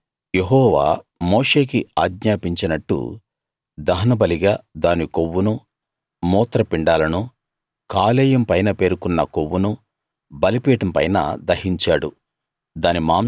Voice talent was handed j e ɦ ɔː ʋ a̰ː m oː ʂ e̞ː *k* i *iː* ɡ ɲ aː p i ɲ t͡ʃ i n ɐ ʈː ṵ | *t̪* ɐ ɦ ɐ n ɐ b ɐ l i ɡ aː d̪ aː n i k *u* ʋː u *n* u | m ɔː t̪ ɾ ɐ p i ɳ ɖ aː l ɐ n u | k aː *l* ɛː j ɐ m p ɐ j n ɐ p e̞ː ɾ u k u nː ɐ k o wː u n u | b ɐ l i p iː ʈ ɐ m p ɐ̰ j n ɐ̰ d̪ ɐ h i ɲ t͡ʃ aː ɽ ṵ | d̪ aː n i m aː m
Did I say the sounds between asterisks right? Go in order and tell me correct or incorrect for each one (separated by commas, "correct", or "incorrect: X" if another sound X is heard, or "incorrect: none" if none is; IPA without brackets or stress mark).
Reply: correct, incorrect: aː, incorrect: d̪, incorrect: o, correct, correct